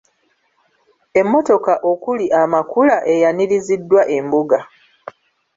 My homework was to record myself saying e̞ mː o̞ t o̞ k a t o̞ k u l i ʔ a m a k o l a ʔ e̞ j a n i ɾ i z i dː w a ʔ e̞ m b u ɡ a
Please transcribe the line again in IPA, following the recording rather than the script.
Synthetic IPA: e̞ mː o̞ t o̞ k a ʔ o̞ k u l i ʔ a m a k u l a ʔ e̞ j a n i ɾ i z i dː w a ʔ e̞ m b u ɡ a